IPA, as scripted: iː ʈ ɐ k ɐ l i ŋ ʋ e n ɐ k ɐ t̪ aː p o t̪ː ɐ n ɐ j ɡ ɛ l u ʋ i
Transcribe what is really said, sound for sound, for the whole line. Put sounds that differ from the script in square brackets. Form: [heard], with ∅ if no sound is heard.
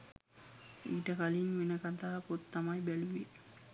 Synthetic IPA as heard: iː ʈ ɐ k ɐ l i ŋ ʋ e n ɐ k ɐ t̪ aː p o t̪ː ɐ [m] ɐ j [b] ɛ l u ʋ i